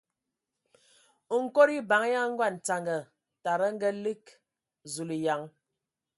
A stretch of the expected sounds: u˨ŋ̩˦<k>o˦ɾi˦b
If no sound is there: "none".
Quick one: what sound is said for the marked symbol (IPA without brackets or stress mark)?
k